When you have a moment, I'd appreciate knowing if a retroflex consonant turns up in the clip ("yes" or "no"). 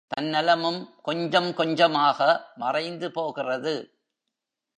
no